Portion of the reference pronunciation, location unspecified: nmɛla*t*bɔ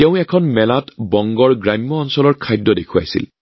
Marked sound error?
no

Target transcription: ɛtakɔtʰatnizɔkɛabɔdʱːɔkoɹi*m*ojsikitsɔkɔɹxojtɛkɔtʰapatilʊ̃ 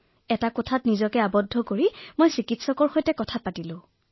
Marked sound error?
no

